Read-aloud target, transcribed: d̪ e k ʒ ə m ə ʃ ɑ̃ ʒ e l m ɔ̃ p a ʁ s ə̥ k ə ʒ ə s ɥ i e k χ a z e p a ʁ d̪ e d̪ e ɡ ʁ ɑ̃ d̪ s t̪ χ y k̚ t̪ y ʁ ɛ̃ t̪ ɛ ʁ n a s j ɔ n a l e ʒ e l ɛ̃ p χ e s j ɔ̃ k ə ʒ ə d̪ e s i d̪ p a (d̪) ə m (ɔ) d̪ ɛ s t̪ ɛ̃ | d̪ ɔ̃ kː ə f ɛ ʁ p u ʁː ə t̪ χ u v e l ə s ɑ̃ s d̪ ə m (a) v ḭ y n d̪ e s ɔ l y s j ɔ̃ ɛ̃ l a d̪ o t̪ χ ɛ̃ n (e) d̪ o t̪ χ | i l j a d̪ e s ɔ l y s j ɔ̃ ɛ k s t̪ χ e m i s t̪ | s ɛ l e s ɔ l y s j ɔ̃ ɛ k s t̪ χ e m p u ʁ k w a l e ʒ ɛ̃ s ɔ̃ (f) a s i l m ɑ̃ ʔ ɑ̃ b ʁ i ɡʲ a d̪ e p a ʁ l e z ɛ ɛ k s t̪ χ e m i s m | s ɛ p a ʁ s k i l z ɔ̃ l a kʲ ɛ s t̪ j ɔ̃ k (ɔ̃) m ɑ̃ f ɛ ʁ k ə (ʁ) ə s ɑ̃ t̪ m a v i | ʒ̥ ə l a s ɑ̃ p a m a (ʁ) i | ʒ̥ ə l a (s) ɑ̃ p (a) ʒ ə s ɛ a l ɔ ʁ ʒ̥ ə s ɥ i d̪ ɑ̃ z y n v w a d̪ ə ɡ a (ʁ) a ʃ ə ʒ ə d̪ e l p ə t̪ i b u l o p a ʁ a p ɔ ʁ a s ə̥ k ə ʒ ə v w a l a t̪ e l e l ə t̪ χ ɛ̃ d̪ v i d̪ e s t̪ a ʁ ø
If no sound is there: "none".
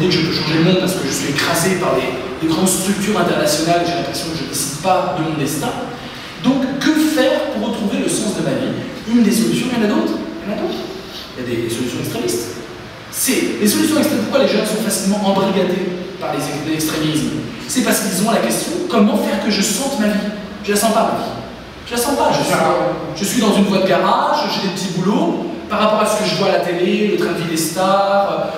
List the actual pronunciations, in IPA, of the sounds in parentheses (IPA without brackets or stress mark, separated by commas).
d̪, ɔ̃, a, a, f, ɔ, ʒ, v, s, a, ʁ